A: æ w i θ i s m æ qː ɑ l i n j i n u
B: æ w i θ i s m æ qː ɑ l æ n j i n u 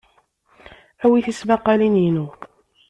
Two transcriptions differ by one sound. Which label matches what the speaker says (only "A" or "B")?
A